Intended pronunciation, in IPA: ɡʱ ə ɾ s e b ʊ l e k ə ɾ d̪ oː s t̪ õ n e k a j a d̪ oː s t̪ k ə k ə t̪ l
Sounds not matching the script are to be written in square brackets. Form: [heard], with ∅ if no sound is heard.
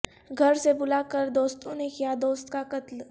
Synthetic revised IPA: ɡʱ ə ɾ s e b ʊ l [a] k ə ɾ d̪ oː s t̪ õ n e k [i] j a d̪ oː s t̪ k [a] k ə t̪ l